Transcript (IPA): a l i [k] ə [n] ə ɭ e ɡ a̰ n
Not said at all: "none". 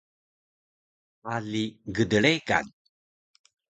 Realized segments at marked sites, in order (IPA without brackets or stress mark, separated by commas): ɡ, d